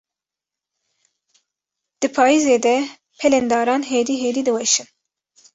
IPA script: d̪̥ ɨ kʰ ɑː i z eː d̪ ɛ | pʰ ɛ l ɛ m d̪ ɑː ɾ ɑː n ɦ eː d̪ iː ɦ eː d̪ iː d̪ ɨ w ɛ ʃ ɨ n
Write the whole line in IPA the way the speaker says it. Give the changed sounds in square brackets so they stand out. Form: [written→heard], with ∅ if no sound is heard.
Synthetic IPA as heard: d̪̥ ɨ [kʰ→pʰ] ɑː i z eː d̪ ɛ | pʰ ɛ l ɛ [m→n] d̪ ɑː ɾ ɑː n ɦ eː d̪ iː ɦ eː d̪ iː d̪ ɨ w ɛ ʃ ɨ n